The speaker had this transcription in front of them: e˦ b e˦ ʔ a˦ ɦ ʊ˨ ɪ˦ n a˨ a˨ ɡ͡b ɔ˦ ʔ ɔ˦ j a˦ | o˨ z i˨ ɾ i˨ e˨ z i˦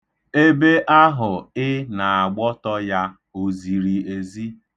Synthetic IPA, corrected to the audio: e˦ b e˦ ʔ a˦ ɦ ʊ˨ ɪ˦ n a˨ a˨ ɡ͡b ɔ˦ t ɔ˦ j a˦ | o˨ z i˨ ɾ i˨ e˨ z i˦